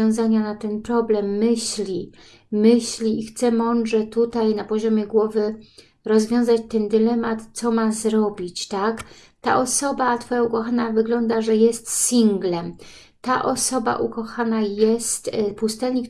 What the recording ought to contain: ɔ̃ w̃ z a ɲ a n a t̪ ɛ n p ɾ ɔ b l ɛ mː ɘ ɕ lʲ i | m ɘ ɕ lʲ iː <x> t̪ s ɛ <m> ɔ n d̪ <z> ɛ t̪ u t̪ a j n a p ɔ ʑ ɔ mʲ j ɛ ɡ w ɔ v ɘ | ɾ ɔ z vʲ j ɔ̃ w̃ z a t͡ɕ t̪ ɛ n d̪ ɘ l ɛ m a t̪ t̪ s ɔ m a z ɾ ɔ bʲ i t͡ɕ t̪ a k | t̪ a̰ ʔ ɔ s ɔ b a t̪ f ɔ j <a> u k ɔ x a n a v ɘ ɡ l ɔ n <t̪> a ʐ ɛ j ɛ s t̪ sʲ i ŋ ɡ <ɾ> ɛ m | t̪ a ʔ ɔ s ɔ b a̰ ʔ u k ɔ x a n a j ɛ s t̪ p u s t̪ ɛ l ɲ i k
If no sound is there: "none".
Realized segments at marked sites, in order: x, m, ʐ, a, d̪, l

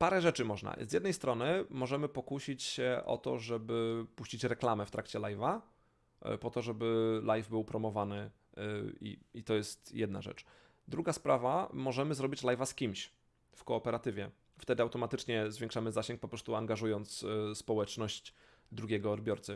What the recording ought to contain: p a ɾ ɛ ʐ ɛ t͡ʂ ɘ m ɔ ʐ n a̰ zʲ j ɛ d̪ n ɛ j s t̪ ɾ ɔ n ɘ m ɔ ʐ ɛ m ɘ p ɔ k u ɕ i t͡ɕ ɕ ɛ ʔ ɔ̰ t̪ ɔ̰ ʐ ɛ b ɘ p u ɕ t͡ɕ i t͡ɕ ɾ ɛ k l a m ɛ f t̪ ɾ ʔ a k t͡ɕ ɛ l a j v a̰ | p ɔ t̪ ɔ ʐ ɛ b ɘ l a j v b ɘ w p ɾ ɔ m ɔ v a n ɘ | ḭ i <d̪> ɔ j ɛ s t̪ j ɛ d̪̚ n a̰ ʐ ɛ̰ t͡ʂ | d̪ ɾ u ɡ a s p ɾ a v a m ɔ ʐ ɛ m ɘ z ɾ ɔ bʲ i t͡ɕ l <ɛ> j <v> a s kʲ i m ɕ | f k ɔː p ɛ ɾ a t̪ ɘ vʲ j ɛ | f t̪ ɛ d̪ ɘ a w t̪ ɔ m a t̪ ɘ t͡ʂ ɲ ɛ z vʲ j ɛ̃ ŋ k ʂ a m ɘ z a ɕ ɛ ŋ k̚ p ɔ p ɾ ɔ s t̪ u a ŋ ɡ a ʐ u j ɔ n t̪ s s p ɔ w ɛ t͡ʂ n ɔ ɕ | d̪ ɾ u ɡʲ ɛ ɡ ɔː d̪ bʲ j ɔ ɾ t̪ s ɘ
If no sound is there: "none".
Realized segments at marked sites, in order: t̪, a, v

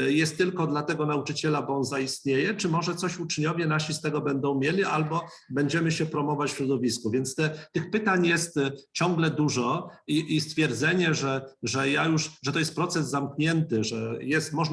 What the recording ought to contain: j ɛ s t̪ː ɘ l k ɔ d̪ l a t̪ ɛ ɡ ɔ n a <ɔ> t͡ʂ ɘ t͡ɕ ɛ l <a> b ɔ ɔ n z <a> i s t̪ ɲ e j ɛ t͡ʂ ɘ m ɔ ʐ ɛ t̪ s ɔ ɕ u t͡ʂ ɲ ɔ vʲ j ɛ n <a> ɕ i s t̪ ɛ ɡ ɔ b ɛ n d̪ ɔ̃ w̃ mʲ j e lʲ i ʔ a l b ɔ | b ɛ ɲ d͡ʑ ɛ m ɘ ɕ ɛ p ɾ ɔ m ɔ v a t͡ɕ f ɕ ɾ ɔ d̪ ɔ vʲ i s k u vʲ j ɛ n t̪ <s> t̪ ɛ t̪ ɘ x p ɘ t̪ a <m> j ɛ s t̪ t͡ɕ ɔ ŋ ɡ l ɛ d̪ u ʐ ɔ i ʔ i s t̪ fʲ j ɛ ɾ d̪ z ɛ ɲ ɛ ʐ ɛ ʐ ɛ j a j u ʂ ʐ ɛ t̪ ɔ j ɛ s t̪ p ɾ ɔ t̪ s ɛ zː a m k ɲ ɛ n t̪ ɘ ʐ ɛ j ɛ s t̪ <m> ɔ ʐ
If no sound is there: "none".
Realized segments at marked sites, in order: u, a, a, a, s, ɲ, m

